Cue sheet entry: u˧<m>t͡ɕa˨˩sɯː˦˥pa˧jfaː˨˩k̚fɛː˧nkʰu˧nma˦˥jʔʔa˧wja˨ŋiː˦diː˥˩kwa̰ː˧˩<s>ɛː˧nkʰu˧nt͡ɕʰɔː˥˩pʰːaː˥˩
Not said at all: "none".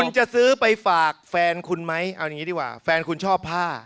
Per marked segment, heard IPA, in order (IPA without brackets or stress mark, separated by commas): n, f